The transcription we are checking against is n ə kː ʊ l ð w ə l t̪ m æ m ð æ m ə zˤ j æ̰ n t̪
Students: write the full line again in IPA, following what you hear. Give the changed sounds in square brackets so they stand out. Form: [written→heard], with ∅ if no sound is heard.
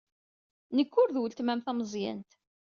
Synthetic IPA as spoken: n ə kː ʊ [l→ɾ] ð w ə l t̪ m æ m [ð→θ] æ m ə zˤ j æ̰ n t̪